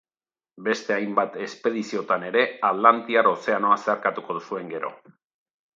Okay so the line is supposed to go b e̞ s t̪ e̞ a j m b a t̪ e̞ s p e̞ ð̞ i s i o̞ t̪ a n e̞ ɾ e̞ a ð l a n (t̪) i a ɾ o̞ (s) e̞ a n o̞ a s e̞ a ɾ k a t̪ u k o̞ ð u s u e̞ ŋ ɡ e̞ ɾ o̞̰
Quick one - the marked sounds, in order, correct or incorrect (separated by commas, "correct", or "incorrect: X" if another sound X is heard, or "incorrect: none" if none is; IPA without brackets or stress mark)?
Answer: correct, correct